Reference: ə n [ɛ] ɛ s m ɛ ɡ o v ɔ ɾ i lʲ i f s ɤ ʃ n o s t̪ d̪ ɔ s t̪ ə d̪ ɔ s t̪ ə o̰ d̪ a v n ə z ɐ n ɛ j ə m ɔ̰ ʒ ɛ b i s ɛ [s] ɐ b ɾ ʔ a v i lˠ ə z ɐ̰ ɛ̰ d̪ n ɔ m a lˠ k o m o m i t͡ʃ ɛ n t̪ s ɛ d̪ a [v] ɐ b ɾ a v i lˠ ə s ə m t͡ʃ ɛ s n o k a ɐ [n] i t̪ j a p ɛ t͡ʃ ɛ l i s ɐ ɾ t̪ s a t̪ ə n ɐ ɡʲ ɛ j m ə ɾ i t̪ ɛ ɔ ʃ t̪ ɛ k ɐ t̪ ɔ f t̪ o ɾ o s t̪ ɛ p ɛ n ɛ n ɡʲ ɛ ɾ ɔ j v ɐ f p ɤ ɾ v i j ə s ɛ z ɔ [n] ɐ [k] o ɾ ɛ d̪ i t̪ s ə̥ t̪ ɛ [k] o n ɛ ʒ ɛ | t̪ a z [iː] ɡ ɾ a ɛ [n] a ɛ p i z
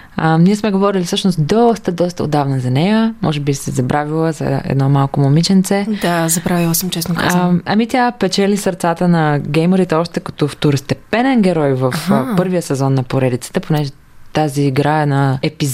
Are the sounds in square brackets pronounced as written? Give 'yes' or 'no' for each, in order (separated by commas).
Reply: no, no, no, no, no, no, no, yes, yes